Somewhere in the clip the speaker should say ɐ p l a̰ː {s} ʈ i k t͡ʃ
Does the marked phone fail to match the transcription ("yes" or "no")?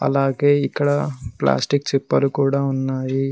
no